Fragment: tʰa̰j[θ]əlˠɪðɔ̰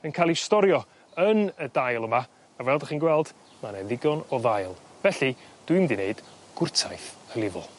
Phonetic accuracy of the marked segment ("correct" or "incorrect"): correct